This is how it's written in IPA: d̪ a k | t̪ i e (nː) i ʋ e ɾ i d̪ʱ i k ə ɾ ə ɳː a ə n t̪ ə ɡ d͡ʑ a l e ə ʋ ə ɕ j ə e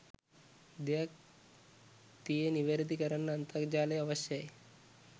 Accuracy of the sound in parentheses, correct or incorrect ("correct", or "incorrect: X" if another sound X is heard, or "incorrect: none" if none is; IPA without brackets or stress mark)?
incorrect: n